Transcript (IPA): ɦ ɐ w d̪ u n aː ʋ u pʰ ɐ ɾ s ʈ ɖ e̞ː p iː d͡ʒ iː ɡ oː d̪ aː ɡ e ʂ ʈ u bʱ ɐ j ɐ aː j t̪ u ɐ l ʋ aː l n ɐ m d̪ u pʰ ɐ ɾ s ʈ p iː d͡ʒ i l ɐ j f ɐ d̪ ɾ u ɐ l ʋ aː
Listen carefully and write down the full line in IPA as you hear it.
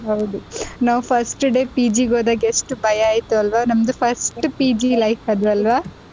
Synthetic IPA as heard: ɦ ɐ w d̪ u n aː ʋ u pʰ ɐ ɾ s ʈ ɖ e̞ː p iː d͡ʒ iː ɡ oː d̪ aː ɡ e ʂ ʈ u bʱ ɐ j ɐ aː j t̪ u ɐ l ʋ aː n ɐ m d̪ u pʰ ɐ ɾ s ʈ p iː d͡ʒ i l ɐ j f ɐ d̪ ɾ u ɐ l ʋ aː